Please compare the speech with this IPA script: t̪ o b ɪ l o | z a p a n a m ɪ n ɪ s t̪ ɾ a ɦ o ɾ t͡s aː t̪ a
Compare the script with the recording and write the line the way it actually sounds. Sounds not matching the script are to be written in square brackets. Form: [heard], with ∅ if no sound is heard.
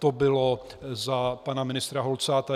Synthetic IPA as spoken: t̪ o b ɪ l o | z a p a n a m ɪ n ɪ s t̪ ɾ a ɦ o [l] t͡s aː t̪ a

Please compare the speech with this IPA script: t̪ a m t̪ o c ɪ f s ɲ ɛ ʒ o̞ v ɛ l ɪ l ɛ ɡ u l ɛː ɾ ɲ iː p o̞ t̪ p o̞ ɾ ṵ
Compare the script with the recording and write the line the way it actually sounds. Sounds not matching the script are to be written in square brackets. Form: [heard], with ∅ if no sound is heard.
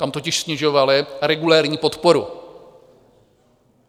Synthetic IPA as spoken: t̪ a m t̪ o c ɪ [ʃ] s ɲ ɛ ʒ o̞ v [a] l ɪ [ɾ] ɛ ɡ u l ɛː ɾ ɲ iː p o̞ t̪ p o̞ ɾ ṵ

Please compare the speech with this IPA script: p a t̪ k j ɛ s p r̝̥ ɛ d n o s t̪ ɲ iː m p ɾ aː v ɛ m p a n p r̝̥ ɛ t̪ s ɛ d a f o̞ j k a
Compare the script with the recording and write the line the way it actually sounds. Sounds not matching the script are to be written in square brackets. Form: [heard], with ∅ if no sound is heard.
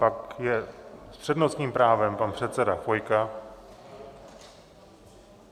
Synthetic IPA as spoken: p a [∅] k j ɛ s p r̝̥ ɛ d n o s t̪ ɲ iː m p ɾ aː v ɛ m p a n p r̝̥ ɛ t̪ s ɛ d a f o̞ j k a

